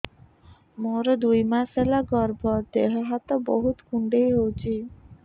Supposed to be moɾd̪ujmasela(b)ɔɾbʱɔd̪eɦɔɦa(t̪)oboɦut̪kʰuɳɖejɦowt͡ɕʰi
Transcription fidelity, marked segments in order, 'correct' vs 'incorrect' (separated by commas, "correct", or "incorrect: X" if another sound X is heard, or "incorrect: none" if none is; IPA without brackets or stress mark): incorrect: ɡ, correct